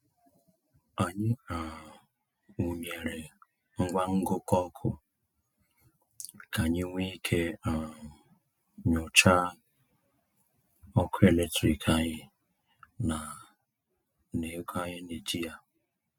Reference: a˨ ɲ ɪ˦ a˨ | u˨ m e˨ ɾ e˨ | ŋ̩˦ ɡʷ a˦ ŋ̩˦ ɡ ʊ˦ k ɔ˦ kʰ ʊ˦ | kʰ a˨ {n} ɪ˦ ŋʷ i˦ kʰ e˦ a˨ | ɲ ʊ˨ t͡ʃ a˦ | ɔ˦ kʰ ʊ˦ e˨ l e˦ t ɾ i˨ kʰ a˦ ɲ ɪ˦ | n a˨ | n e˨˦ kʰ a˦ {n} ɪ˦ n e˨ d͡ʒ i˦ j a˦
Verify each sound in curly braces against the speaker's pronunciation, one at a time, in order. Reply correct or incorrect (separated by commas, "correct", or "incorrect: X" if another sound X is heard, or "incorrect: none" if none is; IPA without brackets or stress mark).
incorrect: ɲ, incorrect: ɲ